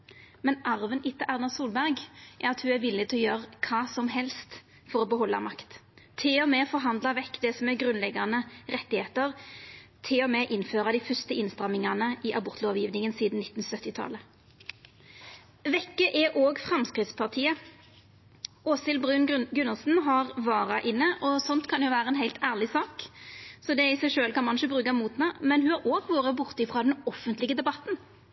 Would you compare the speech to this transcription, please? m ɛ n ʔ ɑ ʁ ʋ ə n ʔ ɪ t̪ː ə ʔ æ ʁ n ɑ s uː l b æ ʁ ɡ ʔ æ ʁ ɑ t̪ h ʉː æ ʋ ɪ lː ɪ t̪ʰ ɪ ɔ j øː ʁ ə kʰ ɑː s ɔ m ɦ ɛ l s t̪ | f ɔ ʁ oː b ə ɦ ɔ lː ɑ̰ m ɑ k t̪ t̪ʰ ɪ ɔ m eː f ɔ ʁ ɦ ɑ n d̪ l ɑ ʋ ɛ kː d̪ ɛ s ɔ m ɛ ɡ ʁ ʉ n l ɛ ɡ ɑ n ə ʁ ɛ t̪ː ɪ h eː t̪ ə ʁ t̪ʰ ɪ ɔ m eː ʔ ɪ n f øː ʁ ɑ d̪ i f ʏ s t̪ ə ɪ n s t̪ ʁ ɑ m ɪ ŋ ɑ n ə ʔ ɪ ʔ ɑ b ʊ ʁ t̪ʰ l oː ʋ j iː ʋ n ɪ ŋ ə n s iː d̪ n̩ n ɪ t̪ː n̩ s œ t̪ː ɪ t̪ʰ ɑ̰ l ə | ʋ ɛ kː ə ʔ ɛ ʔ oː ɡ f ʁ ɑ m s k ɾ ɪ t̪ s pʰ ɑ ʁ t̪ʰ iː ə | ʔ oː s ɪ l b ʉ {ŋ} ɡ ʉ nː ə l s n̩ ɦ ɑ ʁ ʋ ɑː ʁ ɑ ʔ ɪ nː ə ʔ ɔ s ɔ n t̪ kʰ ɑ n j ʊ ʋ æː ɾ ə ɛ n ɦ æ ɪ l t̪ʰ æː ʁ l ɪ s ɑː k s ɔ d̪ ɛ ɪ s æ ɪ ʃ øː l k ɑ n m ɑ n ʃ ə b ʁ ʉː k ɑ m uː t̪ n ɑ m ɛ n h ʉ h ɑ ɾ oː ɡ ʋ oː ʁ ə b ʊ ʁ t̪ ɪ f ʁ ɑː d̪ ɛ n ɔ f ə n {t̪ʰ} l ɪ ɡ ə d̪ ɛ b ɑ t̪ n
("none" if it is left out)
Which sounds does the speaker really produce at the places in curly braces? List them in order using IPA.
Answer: n, t̪

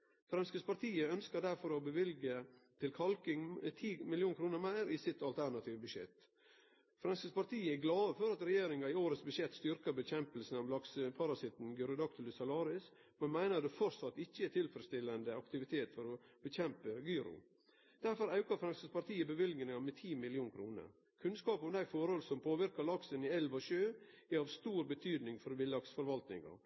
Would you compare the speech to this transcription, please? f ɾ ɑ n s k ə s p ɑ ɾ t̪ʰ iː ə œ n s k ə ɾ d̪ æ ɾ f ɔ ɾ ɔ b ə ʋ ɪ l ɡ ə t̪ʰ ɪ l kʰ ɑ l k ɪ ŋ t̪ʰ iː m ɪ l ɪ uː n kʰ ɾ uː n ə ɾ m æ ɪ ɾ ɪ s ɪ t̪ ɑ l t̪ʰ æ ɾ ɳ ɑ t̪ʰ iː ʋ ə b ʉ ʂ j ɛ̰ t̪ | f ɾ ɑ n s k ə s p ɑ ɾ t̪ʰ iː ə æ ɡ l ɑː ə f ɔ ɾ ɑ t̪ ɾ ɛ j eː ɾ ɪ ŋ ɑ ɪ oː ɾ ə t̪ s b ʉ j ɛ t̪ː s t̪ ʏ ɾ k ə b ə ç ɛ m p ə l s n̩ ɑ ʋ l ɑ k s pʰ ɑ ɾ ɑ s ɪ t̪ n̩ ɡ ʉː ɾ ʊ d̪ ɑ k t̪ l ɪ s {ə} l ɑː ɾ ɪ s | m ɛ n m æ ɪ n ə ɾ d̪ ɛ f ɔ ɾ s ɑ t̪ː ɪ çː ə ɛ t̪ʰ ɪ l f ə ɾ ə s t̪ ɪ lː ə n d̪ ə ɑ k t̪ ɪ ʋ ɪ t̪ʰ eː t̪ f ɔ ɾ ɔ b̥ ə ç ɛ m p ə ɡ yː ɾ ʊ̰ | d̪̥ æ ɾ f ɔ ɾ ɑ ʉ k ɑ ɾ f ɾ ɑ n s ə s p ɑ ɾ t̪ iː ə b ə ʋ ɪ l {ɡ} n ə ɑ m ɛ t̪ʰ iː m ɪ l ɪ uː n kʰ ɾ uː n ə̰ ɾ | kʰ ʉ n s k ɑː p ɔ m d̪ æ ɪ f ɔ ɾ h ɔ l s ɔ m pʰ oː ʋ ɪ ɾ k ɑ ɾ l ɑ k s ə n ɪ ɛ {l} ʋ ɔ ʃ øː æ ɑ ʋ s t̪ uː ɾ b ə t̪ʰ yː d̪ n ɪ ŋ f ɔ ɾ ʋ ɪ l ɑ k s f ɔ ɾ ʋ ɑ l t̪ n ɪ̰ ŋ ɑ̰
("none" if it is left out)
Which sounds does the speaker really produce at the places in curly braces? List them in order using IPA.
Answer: ɑ, ɡ, l

